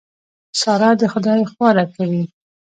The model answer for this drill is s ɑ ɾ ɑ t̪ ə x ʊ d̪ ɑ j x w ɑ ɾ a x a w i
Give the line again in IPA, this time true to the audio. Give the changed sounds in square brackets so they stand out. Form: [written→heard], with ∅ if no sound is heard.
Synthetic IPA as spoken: s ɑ ɾ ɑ [t̪→d̪] ə x ʊ d̪ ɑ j x w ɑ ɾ a [x→k] a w i